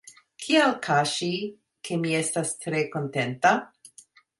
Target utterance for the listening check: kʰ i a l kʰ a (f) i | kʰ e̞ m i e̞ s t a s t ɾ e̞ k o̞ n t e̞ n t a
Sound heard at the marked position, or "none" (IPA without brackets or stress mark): ʃ